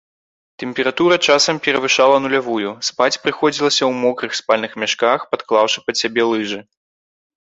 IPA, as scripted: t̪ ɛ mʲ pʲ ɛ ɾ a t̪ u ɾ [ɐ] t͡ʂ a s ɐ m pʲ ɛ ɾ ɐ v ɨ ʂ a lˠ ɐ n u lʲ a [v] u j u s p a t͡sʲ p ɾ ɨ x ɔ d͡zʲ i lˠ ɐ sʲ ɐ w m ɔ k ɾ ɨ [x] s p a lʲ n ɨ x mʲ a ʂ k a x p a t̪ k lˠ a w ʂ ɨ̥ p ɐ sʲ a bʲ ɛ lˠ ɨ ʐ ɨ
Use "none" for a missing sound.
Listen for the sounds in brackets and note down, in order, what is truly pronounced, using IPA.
ɐ, v, x

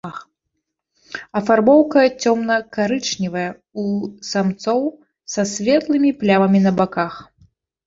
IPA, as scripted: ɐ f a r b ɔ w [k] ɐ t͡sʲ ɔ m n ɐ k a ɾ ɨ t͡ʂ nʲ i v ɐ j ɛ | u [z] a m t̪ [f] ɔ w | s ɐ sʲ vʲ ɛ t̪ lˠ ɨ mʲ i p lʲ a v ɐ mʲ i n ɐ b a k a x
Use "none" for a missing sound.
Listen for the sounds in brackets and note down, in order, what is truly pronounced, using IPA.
k, s, s

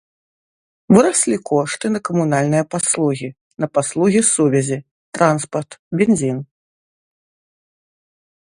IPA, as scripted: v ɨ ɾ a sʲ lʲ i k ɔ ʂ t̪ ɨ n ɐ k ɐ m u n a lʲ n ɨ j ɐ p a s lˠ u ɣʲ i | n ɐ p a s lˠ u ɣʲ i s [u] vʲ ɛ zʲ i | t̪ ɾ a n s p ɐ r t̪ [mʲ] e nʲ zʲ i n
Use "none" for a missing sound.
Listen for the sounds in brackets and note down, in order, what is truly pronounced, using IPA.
u, bʲ

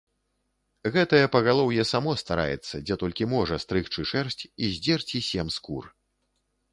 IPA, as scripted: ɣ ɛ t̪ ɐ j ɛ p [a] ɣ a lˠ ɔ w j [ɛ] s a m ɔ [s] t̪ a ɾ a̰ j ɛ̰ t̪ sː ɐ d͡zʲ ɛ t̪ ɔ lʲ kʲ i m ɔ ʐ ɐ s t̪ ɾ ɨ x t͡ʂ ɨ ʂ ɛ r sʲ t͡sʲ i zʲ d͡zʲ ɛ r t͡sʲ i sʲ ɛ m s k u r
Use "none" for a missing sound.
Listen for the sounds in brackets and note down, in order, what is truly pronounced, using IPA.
ɐ, ɛ, s

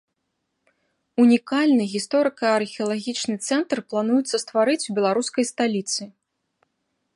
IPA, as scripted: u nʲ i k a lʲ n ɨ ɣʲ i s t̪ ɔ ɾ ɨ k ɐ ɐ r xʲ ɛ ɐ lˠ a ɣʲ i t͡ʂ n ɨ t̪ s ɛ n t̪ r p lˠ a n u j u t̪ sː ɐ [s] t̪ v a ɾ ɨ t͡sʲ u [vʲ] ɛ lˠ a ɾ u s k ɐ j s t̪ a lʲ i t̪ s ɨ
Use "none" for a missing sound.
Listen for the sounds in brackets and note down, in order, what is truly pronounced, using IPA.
s, bʲ

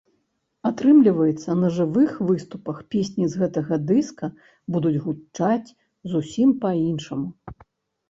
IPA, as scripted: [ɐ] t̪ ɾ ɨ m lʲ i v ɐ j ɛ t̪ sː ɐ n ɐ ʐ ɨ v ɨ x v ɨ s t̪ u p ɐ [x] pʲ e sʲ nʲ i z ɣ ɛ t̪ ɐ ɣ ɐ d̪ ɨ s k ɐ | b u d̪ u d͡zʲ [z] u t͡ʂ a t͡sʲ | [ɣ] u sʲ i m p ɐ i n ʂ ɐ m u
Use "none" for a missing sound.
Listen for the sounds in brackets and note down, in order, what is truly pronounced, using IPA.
a, x, ɣ, z

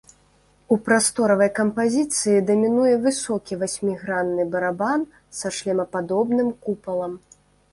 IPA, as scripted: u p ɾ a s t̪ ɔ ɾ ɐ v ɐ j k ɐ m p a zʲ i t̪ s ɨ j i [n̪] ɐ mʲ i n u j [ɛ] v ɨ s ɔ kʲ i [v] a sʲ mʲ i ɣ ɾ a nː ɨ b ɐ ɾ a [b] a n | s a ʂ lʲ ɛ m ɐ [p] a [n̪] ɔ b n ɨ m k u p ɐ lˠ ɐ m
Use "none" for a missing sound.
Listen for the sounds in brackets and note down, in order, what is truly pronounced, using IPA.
d̪, ɛ, v, b, p, d̪

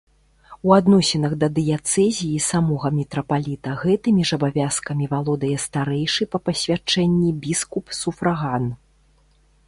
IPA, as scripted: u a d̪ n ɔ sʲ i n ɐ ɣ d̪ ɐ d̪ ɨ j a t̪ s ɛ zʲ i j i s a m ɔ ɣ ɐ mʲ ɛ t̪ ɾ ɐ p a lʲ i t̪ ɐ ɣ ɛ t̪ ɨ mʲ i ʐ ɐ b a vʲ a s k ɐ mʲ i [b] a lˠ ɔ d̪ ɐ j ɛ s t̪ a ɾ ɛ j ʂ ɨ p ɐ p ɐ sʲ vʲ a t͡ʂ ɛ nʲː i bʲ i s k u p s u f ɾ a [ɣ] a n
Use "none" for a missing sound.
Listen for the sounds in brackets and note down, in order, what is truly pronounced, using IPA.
v, ɣ

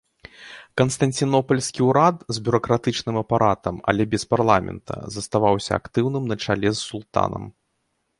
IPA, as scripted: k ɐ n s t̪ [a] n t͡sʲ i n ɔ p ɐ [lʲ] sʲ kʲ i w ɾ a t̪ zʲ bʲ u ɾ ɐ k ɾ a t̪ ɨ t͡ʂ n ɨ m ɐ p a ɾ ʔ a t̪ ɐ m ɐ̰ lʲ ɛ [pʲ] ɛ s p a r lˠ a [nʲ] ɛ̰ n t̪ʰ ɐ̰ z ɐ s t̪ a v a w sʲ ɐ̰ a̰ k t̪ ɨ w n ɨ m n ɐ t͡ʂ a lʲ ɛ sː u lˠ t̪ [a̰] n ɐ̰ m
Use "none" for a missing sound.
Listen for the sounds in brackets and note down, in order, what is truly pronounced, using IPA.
ɐ, lʲ, bʲ, mʲ, a̰

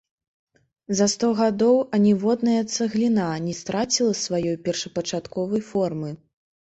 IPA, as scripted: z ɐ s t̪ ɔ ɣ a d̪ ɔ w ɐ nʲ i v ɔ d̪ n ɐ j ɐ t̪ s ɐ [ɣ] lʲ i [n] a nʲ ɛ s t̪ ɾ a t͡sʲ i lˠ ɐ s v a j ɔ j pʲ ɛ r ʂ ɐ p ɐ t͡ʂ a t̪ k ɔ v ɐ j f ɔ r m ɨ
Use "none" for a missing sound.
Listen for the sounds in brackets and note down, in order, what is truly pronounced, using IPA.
ɣ, n

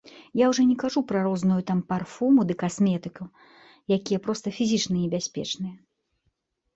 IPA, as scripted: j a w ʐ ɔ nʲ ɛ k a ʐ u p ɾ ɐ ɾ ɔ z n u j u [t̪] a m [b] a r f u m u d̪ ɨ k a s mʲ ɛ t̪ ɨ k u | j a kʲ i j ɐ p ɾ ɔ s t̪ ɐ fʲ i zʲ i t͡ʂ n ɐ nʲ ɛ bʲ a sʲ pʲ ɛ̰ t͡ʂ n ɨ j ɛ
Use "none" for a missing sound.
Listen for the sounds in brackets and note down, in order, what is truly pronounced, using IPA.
t̪, p

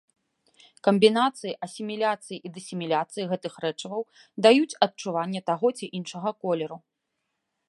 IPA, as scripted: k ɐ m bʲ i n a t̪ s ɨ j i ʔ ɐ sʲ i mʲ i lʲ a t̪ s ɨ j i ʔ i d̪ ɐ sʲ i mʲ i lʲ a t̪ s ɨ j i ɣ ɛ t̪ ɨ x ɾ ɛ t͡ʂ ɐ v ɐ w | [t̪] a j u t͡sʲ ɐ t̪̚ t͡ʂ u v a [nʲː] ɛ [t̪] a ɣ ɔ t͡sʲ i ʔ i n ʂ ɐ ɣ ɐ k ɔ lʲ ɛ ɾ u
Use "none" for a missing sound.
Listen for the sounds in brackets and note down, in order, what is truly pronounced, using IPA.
d̪, nʲː, t̪

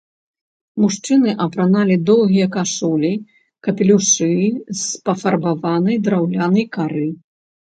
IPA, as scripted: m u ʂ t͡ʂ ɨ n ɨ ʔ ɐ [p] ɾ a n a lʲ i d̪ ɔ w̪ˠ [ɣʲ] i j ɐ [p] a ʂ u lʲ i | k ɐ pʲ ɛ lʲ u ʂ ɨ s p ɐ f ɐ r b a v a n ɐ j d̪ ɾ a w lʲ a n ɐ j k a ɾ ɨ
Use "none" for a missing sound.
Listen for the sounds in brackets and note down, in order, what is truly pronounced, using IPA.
p, ɣʲ, k

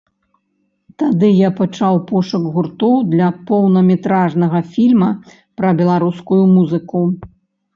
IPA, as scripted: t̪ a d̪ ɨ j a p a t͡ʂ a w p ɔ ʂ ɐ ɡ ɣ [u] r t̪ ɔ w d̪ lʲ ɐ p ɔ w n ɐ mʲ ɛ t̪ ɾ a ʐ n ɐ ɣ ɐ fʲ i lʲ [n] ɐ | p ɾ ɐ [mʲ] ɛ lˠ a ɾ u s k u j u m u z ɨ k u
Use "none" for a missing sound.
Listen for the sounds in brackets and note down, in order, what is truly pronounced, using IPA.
u, m, bʲ

